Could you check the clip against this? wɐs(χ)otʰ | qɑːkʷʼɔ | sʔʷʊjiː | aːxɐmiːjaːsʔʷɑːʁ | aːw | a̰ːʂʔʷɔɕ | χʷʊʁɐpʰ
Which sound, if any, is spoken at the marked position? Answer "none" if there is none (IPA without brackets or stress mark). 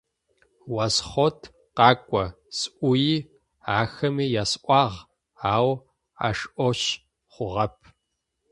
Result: χ